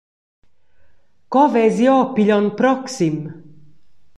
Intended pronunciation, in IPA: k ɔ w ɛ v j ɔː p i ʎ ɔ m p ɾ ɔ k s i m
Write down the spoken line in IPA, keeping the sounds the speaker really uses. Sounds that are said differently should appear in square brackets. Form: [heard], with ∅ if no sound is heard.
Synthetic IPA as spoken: k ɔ [v] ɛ [z] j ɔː p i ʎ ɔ [n] p ɾ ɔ k s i m